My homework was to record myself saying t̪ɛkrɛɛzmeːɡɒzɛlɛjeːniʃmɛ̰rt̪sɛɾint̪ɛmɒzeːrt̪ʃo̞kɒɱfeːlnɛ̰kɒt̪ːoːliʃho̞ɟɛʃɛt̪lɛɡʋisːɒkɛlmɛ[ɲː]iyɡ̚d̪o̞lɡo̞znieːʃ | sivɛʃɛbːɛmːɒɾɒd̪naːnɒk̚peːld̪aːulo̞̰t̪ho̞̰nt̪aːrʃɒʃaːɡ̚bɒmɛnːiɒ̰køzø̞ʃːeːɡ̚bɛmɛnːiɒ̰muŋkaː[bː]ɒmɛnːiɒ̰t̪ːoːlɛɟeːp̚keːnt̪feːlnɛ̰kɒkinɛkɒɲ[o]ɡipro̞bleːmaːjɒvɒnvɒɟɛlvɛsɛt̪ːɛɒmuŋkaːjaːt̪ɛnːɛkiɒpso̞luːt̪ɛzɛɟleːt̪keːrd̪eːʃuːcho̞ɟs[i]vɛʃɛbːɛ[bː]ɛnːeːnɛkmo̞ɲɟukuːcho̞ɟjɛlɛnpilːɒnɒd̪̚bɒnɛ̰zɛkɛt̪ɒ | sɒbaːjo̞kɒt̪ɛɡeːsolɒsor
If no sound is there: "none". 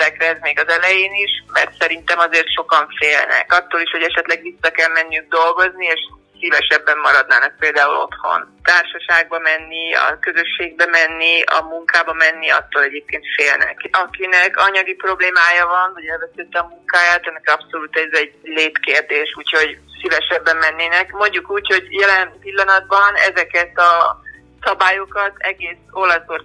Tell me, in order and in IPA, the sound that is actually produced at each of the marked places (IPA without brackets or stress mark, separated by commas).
nː, b, ɒ, i, mː